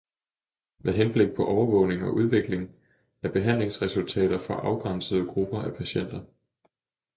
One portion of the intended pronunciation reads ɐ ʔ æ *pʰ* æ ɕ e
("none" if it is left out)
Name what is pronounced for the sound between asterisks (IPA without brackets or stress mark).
pʰ